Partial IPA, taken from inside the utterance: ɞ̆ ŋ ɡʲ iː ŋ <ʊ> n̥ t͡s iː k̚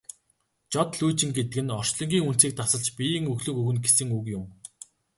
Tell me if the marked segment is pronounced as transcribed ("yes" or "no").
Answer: no